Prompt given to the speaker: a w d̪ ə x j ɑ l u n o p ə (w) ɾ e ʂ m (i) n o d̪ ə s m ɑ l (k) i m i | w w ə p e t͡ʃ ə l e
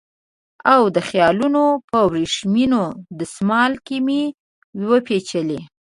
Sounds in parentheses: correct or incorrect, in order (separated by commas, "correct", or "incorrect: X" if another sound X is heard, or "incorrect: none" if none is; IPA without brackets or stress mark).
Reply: correct, correct, correct